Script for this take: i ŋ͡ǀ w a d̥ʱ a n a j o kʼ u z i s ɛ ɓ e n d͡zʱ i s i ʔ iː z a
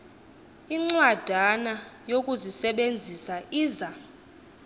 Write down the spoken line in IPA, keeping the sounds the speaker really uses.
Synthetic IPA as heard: i ŋ͡ǀ w a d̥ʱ a n a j o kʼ u z i s ɛ ɓ e n d͡zʱ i s a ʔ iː z a